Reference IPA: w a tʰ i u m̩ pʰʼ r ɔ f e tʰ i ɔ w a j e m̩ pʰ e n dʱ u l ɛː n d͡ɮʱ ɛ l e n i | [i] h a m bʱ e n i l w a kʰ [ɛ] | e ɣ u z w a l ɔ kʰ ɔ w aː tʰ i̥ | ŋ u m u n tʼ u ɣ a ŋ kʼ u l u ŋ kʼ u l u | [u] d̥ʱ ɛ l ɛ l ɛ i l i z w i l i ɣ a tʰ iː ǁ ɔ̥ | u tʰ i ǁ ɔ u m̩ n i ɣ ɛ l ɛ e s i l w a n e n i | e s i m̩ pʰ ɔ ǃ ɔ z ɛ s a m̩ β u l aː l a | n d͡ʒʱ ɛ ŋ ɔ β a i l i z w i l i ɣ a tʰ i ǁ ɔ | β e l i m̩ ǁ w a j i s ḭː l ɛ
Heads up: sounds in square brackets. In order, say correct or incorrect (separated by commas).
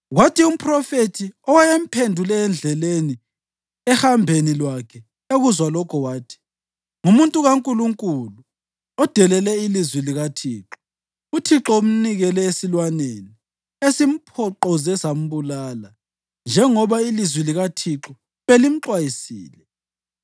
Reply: incorrect, correct, incorrect